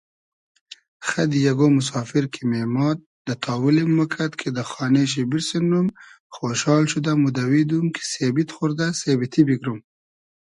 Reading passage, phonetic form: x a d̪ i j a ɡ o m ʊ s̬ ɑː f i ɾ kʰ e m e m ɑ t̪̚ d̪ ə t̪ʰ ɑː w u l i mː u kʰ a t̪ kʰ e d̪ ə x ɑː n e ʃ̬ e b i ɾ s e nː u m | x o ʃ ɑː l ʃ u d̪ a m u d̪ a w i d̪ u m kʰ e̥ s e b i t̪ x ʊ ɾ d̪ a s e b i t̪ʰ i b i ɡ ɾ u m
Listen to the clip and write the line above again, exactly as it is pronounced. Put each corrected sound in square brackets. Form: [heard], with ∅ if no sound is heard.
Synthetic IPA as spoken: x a d̪ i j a ɡ o m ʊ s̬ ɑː f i ɾ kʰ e m e m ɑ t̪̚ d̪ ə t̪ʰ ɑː w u l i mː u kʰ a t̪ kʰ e d̪ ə x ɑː n e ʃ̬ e b i ɾ s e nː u m | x o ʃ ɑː l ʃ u d̪ a m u d̪ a w i d̪ u m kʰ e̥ s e b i t̪ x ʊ ɾ d̪ a s e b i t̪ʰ i b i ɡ ɾ u m